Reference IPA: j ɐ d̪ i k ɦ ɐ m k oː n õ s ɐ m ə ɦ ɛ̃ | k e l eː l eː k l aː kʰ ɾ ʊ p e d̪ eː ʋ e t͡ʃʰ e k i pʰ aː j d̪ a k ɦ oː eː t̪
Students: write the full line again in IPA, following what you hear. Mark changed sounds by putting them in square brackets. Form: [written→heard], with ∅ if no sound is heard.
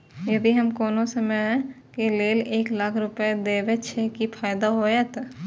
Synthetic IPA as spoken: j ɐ d̪ i [k→∅] ɦ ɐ m k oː n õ s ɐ m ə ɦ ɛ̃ | k e l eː l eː k l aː kʰ ɾ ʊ p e d̪ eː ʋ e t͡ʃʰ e k i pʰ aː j d̪ a [k→∅] ɦ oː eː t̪